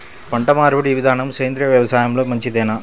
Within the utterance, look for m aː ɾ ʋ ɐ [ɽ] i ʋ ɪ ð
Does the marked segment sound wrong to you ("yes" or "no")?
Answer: no